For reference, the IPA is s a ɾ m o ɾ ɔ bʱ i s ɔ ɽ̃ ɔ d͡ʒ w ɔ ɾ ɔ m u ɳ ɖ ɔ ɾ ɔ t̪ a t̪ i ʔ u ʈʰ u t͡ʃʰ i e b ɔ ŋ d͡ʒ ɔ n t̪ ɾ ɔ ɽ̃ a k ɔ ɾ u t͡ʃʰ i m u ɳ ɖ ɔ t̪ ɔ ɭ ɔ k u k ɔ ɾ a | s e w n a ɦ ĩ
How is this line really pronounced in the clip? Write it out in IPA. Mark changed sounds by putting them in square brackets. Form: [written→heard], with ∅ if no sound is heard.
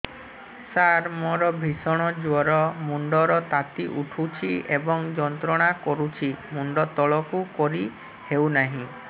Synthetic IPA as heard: s a ɾ m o ɾ ɔ bʱ i s ɔ ɽ̃ ɔ d͡ʒ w ɔ ɾ ɔ m u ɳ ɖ ɔ ɾ ɔ t̪ a t̪ i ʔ u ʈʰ u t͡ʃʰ i e b ɔ ŋ d͡ʒ ɔ n t̪ ɾ ɔ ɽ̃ a k ɔ ɾ u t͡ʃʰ i m u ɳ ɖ ɔ t̪ ɔ ɭ ɔ k u k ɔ ɾ [a→i] | [s→h] e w n a ɦ ĩ